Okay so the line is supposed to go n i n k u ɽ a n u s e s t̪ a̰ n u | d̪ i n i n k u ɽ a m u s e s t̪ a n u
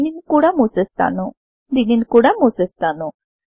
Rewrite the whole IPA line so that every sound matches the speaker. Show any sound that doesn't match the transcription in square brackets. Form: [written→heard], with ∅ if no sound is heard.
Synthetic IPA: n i n k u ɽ a [n→m] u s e s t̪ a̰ n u | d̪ i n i n k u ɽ a m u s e s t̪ a n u

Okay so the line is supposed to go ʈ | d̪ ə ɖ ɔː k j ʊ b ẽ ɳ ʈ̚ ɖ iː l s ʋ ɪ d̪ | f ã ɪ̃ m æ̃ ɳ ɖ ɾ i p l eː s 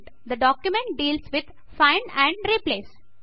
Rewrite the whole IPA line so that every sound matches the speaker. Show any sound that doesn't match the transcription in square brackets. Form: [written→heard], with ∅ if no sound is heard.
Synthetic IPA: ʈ | d̪ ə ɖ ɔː k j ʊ [b→m] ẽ ɳ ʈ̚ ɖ iː l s ʋ ɪ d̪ | f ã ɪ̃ [m→n] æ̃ ɳ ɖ ɾ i p l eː s

